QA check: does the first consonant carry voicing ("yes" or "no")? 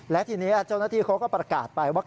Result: yes